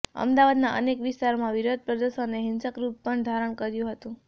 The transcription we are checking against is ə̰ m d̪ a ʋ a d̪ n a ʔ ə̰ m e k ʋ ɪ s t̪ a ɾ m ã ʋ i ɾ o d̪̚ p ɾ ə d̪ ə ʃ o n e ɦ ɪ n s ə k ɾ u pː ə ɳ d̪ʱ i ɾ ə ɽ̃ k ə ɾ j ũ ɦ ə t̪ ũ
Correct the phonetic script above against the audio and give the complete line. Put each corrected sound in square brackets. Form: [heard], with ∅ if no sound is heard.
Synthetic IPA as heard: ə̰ m d̪ a ʋ a d̪ n a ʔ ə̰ [n] e k ʋ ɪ s t̪ a ɾ m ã ʋ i ɾ o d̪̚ p ɾ ə d̪ ə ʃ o n e ɦ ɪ n s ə k ɾ u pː ə ɳ d̪ʱ [a] ɾ ə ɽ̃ k ə ɾ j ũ ɦ ə t̪ ũ